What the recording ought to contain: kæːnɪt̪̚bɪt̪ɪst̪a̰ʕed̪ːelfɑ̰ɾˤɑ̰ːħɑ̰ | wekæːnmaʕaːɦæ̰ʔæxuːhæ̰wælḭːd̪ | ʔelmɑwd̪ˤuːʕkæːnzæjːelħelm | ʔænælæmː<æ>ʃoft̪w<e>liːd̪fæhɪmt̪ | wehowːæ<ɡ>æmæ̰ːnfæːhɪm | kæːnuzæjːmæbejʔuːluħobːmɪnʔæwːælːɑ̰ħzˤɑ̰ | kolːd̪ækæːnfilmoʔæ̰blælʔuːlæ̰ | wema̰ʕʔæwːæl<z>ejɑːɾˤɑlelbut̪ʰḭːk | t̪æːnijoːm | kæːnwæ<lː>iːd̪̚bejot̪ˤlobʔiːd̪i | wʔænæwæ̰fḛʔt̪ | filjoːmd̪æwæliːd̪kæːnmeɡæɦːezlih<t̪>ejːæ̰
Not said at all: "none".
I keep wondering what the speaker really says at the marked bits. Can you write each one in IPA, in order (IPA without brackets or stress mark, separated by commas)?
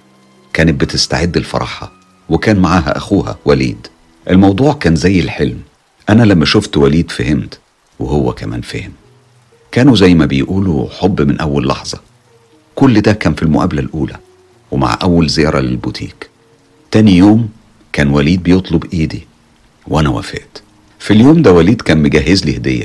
æ, æ, k, z, l, d̪